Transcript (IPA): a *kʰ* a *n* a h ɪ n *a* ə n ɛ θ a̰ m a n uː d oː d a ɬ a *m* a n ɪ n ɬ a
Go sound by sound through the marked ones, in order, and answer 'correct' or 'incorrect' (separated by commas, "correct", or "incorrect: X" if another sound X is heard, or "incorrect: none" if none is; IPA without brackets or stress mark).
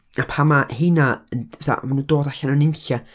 incorrect: pʰ, incorrect: m, correct, incorrect: n